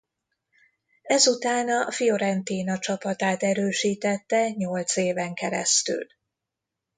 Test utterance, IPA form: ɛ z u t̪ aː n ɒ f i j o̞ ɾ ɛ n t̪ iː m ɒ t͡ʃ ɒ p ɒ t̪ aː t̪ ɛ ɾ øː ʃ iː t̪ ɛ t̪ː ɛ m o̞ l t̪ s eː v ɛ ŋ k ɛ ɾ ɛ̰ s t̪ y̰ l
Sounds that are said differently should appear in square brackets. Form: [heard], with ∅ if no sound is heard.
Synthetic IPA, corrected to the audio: ɛ z u t̪ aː n ɒ f i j o̞ ɾ ɛ n t̪ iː [n] ɒ t͡ʃ ɒ p ɒ t̪ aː t̪ ɛ ɾ øː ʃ iː t̪ ɛ t̪ː ɛ [ɲ] o̞ l t̪ s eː v ɛ ŋ k ɛ ɾ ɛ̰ s t̪ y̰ l